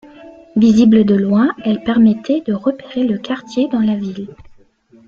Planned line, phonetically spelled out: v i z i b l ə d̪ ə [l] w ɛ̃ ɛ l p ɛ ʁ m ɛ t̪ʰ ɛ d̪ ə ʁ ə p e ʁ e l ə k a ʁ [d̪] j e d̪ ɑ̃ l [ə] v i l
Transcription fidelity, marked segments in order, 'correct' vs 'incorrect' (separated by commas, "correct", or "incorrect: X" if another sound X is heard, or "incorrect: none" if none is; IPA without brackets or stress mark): correct, incorrect: t̪, incorrect: a